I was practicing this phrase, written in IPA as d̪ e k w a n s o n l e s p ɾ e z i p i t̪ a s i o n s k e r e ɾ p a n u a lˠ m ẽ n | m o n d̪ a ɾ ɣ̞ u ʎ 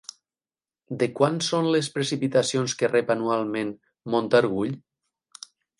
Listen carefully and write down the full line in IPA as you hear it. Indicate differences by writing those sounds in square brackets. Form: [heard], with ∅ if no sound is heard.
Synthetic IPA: d̪ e k w a n s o n l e s p ɾ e [s] i p i t̪ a s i o n s k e r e [∅] p a n u a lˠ m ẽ n | m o n [t̪] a ɾ ɣ̞ u ʎ